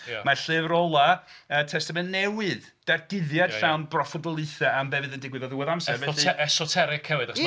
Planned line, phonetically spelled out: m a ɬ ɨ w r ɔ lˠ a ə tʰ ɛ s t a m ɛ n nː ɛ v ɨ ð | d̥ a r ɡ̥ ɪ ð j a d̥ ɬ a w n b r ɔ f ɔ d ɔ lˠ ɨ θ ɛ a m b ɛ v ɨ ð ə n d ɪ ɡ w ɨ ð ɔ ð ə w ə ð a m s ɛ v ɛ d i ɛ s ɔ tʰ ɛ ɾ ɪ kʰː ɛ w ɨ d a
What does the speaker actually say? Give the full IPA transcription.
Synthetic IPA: m a ɬ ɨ v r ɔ lˠ a ə tʰ ɛ s t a m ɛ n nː ɛ w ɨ ð | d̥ a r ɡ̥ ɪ ð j a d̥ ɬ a w n b r ɔ f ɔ d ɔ lˠ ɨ θ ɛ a m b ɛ v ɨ ð ə n d ɪ ɡ w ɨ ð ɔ ð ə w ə ð a m s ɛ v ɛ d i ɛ s ɔ tʰ ɛ ɾ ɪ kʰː ɛ w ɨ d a